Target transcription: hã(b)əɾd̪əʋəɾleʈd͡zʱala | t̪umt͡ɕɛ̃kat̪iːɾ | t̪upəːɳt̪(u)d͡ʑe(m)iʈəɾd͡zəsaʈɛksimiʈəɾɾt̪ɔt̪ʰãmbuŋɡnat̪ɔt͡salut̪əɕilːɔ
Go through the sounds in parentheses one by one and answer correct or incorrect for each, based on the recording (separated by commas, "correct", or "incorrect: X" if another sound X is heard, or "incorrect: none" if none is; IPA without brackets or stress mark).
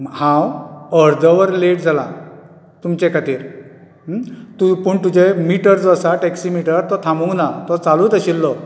incorrect: w, correct, correct